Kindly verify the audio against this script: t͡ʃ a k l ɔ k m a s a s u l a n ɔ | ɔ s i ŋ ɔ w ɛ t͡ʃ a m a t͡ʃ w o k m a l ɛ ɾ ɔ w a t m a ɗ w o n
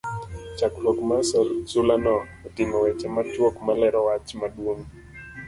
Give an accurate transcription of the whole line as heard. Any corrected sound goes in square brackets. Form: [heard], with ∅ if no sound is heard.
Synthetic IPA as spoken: t͡ʃ a k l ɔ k m a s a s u l a n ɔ | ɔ [t] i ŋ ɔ w ɛ t͡ʃ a m a t͡ʃ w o k m a l ɛ ɾ ɔ w a [t͡ʃ] m a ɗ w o [ŋ]